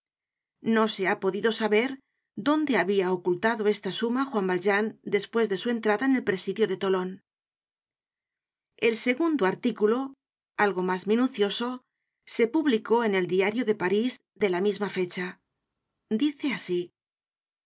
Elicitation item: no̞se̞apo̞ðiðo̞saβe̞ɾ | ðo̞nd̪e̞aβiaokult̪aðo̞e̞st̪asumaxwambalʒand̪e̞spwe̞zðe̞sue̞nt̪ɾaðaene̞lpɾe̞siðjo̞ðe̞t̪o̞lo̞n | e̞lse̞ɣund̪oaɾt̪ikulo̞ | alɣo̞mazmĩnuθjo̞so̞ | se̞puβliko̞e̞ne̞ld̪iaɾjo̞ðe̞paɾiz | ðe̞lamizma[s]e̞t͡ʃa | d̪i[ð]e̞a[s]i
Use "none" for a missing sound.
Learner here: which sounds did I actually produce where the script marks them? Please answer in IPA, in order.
f, θ, s

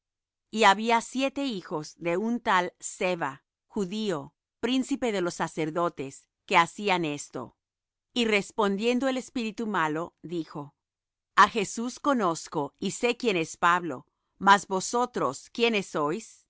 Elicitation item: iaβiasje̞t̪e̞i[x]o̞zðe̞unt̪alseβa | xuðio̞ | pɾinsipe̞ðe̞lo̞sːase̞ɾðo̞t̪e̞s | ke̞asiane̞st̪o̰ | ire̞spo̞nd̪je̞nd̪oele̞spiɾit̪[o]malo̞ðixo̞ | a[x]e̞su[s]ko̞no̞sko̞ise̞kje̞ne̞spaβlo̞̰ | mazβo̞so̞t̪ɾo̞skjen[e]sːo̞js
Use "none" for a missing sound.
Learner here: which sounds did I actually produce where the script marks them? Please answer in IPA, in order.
x, u, x, s, e

